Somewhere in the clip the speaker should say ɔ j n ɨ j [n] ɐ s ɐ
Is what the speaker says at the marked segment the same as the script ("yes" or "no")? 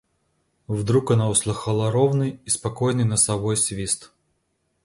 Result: yes